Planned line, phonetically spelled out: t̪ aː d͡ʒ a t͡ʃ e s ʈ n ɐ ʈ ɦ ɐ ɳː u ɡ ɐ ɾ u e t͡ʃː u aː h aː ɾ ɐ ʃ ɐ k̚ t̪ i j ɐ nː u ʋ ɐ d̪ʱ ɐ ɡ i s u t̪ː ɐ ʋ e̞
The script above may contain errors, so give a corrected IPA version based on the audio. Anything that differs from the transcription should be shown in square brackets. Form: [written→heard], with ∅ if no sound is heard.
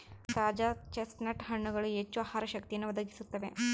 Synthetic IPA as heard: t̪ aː d͡ʒ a t͡ʃ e s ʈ n ɐ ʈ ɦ ɐ ɳː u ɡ ɐ [ɾ→ɭ] u e t͡ʃː u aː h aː ɾ ɐ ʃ ɐ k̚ t̪ i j ɐ nː u ʋ ɐ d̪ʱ ɐ ɡ i s u t̪ː ɐ ʋ e̞